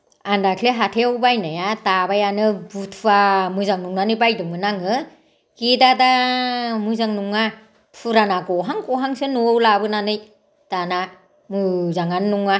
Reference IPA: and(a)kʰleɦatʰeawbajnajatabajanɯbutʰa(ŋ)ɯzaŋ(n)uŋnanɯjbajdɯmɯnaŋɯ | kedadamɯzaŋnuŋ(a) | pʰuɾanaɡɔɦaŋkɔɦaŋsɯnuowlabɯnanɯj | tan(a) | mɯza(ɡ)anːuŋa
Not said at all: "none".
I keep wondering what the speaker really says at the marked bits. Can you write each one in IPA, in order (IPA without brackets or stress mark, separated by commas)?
a, m, n, a, a, ŋ